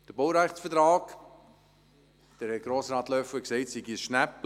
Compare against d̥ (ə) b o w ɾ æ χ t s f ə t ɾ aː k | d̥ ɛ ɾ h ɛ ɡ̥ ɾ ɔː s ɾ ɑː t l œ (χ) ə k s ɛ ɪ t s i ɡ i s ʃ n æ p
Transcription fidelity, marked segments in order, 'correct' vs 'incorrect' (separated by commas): correct, incorrect